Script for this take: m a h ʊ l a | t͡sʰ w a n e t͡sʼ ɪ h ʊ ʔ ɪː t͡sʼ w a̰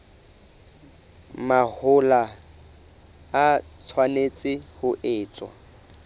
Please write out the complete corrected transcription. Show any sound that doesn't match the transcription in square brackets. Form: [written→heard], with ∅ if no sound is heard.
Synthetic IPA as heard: m a h ʊ l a | t͡sʰ w a n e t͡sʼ ɪ h ʊ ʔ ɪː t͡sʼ w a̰